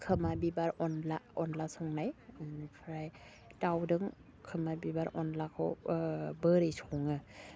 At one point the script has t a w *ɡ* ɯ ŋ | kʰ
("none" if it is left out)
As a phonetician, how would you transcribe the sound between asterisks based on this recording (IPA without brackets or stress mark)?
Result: d